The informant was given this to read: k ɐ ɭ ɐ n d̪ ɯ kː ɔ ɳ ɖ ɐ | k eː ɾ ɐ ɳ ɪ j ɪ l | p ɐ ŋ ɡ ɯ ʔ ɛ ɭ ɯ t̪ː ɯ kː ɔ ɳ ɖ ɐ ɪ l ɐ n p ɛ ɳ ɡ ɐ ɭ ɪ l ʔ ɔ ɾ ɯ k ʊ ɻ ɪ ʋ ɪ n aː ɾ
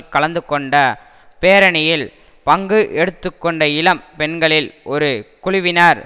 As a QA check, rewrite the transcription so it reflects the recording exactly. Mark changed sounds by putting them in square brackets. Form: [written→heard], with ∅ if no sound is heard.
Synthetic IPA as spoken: k ɐ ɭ ɐ n d̪ ɯ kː ɔ ɳ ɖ ɐ | [k→p] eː ɾ ɐ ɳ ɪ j ɪ l | p ɐ ŋ ɡ ɯ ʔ ɛ [ɭ→ɽ] ɯ t̪ː ɯ kː ɔ ɳ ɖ ɐ ɪ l ɐ [n→m] p ɛ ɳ ɡ ɐ ɭ ɪ l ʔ ɔ ɾ ɯ k ʊ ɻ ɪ ʋ ɪ n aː ɾ